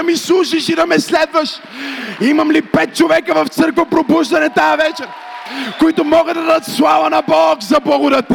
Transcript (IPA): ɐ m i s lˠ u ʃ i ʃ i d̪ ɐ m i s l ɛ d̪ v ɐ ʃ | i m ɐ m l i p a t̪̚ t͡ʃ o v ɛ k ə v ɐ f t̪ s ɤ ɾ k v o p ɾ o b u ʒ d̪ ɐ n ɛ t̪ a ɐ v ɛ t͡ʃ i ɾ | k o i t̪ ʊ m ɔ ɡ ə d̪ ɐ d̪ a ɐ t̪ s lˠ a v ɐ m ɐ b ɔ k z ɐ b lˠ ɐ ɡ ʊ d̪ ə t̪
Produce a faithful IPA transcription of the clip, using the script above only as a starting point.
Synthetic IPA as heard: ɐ m i s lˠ u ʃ i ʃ i d̪ ɐ m ɛ s l ɛ d̪ v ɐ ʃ | i m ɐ m l i p ɛ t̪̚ t͡ʃ o v ɛ k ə v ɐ f t̪ s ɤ ɾ k v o p ɾ o b u ʒ d̪ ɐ n ɛ t̪ a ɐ v ɛ t͡ʃ ɛ ɾ | k o i t̪ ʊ m ɔ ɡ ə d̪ ɐ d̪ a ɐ t̪ s lˠ a v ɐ n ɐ b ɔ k z ɐ b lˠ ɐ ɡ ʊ d̪ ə t̪